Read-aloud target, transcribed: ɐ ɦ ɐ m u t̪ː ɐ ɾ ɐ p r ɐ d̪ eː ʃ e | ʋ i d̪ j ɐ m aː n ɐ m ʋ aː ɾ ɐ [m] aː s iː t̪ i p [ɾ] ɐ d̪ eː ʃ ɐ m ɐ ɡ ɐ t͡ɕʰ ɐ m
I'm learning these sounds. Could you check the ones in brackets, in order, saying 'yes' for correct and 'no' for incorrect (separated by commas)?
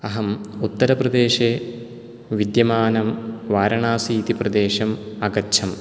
no, no